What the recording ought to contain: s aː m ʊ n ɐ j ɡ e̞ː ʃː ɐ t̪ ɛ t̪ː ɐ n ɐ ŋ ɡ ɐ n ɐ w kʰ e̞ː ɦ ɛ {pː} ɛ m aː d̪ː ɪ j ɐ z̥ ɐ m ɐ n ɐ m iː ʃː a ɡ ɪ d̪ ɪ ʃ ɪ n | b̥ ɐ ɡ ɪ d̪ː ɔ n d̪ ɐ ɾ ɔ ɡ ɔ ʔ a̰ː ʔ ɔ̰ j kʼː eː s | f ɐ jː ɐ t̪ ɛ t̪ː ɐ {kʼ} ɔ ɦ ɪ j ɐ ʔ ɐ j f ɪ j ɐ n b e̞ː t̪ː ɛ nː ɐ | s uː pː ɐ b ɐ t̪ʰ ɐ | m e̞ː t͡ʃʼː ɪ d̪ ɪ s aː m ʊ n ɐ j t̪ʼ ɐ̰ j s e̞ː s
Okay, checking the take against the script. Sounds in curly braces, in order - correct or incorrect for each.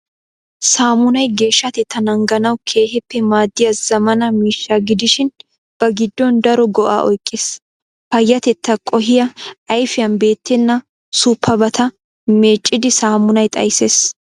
correct, correct

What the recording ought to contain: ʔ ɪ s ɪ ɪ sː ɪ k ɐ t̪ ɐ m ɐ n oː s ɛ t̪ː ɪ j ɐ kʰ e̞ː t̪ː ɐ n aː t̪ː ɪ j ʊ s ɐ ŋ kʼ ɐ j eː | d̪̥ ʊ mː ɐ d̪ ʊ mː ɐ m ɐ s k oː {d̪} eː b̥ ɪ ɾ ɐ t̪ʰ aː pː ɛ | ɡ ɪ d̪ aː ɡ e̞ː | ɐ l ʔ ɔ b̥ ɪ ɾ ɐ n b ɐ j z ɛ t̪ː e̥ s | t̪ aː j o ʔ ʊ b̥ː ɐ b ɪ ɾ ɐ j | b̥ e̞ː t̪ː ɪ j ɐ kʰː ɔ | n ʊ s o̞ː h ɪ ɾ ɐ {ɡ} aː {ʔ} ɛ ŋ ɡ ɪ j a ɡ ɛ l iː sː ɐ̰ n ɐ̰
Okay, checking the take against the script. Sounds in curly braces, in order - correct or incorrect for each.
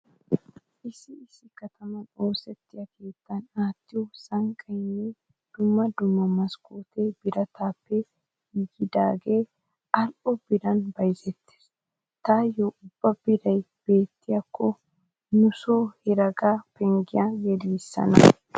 incorrect: t̪, correct, incorrect: p

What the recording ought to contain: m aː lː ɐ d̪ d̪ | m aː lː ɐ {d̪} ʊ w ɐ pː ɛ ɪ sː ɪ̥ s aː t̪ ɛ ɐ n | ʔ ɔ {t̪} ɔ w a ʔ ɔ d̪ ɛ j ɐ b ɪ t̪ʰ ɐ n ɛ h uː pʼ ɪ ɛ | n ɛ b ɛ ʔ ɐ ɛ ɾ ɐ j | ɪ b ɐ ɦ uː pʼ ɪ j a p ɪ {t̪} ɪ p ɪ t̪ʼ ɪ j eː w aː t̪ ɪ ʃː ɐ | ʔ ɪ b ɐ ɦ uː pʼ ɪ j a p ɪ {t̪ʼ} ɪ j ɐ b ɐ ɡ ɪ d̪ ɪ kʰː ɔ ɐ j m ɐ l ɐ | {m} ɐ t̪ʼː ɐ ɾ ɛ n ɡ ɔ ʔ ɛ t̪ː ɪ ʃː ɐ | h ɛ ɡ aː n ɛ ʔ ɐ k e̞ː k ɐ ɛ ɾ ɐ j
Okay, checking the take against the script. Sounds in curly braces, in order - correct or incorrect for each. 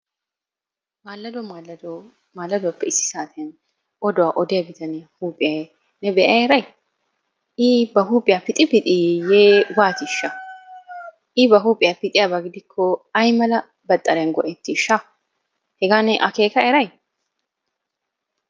correct, incorrect: d̪, incorrect: t̪ʼ, correct, incorrect: b

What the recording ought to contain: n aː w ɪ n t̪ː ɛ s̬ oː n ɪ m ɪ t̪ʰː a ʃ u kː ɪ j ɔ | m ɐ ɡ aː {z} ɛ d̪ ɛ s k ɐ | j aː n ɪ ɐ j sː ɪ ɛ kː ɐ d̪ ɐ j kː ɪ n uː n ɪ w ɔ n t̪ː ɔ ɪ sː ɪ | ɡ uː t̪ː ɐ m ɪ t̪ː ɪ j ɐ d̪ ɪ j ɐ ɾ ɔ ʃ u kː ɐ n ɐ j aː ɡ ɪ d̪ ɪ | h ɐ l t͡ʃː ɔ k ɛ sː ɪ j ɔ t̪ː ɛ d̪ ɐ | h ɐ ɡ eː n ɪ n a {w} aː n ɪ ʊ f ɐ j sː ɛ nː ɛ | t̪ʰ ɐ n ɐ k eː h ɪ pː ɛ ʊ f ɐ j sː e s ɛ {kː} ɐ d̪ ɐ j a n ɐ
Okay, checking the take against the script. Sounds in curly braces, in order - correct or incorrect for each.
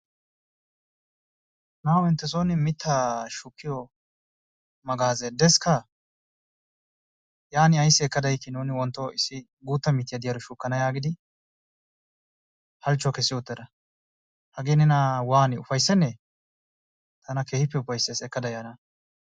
correct, correct, correct

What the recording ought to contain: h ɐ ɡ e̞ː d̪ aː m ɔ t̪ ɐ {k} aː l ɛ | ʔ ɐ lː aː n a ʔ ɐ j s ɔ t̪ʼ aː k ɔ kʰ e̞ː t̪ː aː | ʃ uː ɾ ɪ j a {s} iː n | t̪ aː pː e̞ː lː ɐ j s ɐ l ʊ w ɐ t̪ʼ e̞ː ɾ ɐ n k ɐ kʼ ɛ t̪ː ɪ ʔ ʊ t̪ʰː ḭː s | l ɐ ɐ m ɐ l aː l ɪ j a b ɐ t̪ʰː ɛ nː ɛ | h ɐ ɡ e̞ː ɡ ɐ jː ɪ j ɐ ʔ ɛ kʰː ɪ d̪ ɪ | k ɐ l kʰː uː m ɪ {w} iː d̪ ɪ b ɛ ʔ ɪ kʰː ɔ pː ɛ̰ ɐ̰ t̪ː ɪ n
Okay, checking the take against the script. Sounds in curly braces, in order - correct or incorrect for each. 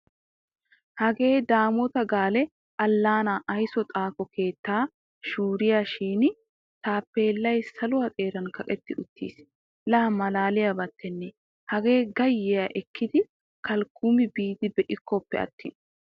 incorrect: ɡ, incorrect: ʃ, incorrect: b

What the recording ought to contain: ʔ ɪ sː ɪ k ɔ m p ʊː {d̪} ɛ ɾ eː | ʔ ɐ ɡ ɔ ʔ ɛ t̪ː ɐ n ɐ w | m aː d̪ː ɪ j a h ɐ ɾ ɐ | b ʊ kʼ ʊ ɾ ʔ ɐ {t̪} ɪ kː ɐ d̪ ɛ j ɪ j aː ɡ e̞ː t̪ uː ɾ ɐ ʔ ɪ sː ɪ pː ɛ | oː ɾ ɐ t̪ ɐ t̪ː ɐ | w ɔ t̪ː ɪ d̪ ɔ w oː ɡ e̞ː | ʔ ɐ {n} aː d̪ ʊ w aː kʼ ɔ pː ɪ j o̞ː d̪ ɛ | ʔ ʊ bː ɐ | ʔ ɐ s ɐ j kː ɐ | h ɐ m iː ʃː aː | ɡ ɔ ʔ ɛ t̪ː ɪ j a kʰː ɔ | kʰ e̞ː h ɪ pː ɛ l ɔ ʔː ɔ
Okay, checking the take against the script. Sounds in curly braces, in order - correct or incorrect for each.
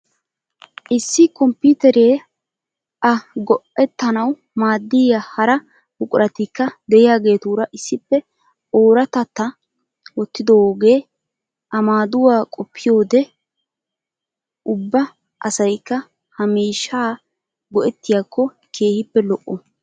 incorrect: t̪, correct, incorrect: m

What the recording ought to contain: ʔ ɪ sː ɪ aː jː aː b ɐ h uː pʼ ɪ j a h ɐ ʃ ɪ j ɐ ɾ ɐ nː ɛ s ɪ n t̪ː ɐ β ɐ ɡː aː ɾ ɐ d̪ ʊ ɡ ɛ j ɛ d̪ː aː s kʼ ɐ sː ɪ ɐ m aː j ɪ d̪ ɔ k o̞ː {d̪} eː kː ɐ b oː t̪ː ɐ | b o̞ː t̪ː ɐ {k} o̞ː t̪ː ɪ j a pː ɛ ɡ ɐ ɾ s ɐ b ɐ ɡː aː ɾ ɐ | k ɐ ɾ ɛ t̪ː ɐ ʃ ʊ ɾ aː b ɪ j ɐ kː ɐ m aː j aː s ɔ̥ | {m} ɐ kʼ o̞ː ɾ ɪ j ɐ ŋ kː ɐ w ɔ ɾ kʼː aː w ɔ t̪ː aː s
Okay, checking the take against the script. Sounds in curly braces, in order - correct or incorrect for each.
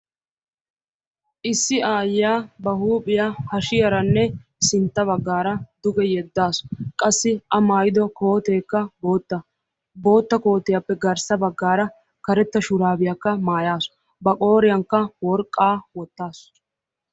incorrect: t̪, correct, incorrect: b

